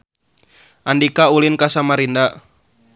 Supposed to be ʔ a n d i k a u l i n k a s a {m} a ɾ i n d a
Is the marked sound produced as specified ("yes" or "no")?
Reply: yes